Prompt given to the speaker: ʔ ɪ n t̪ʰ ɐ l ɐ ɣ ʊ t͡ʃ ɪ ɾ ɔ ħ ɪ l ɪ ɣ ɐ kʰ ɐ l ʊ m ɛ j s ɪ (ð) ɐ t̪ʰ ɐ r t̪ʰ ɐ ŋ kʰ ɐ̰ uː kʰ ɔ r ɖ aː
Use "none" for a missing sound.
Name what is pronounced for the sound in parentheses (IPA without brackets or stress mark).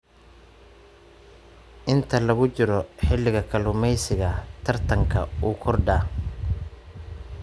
ɣ